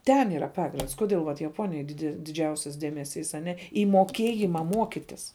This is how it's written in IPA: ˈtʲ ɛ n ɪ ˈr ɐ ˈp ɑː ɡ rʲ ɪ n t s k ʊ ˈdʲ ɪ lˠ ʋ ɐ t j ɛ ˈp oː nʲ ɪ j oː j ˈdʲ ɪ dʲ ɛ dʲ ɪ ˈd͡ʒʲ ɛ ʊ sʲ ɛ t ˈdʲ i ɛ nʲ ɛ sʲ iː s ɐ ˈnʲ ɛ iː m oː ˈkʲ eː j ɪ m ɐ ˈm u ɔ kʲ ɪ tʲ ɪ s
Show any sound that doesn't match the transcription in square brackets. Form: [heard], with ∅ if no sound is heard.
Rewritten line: ˈtʲ ɛ n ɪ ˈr ɐ ˈp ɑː ɡ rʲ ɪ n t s k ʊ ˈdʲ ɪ lˠ ʋ ɐ t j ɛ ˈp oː nʲ ɪ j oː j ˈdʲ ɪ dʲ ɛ dʲ ɪ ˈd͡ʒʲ ɛ ʊ sʲ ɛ [s] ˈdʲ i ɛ [mʲ] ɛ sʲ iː s ɐ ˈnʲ ɛ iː m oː ˈkʲ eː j ɪ m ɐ ˈm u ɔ kʲ ɪ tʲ ɪ s